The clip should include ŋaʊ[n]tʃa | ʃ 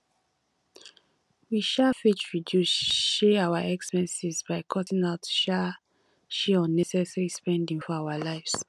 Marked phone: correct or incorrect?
incorrect: none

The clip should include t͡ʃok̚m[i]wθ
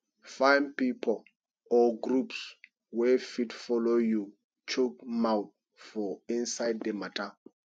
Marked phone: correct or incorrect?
incorrect: a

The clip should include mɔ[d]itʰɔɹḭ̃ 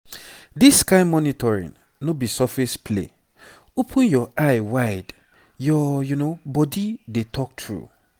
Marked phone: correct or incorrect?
incorrect: n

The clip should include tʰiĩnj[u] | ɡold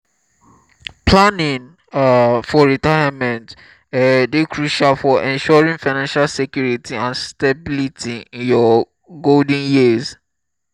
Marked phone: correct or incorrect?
incorrect: ɔ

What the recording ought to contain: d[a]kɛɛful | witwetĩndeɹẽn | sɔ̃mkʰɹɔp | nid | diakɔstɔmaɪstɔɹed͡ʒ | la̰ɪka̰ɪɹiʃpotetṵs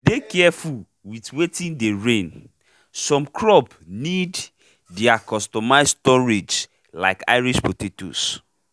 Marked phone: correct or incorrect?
incorrect: e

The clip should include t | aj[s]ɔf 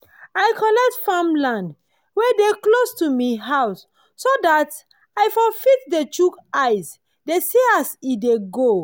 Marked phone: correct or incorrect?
incorrect: f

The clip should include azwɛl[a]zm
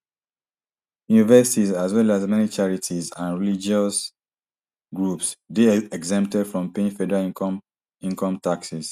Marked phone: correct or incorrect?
correct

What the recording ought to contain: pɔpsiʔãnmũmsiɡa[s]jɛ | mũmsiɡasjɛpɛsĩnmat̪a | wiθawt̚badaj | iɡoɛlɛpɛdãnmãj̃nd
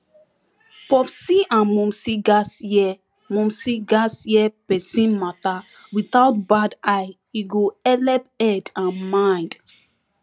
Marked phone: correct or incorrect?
correct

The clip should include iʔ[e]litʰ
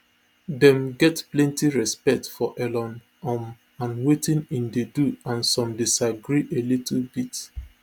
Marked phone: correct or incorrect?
correct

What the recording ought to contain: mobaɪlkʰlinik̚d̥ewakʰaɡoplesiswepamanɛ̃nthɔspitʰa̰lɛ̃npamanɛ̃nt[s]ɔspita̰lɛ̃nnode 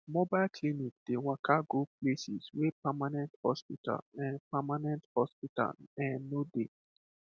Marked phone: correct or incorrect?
incorrect: h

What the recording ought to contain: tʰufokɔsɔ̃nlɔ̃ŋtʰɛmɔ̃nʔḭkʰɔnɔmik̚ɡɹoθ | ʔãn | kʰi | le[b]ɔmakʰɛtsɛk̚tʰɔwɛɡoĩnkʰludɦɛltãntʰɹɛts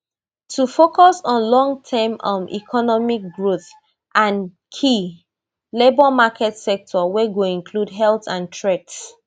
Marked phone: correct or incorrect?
correct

